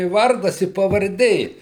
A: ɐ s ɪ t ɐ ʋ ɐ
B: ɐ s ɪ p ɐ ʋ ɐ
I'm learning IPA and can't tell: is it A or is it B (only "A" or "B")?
B